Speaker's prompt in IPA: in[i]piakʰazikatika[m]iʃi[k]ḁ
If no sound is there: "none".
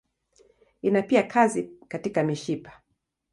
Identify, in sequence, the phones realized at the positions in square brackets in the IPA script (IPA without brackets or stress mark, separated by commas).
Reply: a, m, p